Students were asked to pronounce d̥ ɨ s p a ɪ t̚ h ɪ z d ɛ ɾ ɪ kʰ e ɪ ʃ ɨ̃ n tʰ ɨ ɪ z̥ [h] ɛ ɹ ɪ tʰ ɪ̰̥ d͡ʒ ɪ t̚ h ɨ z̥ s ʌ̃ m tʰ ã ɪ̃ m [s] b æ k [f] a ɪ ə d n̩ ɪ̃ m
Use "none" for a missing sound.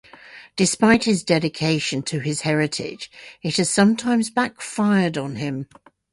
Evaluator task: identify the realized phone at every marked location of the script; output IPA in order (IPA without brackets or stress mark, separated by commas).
h, z, f